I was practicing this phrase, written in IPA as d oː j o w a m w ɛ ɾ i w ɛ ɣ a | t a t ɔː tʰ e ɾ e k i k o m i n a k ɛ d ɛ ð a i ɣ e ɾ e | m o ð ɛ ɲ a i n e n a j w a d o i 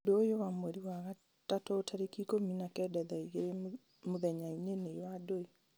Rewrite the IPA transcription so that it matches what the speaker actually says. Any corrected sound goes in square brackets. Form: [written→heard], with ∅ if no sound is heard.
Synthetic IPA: d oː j o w a m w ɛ ɾ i w [ɛ→a] ɣ a | t a t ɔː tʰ [e→a] ɾ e k i k o m i n a k ɛ d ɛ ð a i ɣ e ɾ e | m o ð ɛ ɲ a i n e n [a→e] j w a d o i